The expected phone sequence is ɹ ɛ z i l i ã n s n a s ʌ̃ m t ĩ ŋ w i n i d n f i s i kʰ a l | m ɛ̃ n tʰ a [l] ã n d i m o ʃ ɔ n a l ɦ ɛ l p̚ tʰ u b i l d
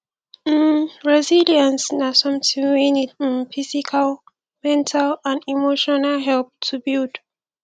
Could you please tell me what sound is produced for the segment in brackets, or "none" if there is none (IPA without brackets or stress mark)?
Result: l